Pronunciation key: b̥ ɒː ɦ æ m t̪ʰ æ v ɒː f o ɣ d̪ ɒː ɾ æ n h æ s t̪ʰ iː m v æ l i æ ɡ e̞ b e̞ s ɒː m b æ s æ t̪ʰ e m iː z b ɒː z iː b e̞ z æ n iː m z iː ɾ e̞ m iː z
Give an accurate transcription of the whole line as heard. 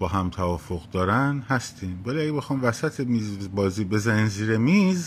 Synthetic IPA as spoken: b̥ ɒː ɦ æ m t̪ʰ æ v ɒː f o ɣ d̪ ɒː ɾ æ n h æ s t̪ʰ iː m v æ l i æ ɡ e̞ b e̞ x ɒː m v æ s æ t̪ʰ e m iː z b ɒː z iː b e̞ z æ n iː n z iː ɾ e̞ m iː z